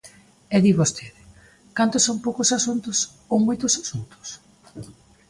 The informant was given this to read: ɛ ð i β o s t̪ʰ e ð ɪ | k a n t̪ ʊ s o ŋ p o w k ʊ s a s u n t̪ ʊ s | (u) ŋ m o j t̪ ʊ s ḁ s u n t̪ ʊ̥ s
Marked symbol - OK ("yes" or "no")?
no